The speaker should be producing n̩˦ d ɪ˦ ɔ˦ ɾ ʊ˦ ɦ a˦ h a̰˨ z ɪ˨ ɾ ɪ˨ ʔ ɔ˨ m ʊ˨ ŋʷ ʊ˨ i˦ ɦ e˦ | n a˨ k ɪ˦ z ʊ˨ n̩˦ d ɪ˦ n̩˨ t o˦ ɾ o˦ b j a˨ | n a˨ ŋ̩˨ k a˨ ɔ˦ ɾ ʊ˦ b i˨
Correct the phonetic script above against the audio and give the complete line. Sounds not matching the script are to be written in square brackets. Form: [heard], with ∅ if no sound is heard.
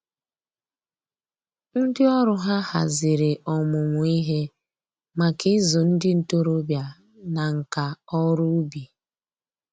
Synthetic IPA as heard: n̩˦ d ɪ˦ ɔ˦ ɾ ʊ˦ ɦ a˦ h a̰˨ z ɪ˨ ɾ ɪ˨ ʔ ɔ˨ m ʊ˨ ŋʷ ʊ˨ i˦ ɦ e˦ | [m] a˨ k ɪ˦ z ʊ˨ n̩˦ d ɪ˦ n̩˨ t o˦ ɾ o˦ b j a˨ | n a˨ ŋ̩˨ k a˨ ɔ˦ ɾ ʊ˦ b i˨